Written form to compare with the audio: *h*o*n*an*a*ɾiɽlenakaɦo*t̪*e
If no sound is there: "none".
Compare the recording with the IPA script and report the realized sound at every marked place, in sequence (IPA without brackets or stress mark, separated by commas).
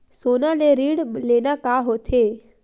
s, n, e, t̪ʰ